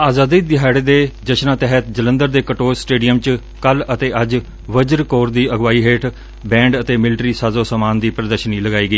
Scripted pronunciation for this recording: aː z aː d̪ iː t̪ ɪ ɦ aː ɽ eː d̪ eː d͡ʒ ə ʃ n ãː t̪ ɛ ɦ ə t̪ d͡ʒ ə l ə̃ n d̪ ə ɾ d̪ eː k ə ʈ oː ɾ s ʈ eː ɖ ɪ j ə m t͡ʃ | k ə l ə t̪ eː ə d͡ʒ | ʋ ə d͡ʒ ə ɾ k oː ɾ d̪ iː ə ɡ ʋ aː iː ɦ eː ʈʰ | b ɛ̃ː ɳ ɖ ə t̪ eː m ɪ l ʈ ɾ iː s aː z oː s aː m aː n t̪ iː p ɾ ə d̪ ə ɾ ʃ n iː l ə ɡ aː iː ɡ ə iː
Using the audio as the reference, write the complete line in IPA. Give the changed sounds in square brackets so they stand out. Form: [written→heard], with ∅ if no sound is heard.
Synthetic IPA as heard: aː z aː d̪ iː [t̪→d̪] ɪ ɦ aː ɽ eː d̪ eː d͡ʒ ə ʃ n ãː t̪ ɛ ɦ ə t̪ d͡ʒ ə l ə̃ n d̪ ə ɾ d̪ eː k ə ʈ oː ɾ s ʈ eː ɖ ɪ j ə m t͡ʃ | k ə l ə t̪ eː ə d͡ʒ | ʋ ə d͡ʒ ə ɾ k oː ɾ d̪ iː ə ɡ ʋ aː iː ɦ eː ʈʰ | b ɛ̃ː ɳ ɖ ə t̪ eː m ɪ l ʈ ɾ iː s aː z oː s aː m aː n [t̪→d̪] iː p ɾ ə d̪ ə ɾ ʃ n iː l ə ɡ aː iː ɡ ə iː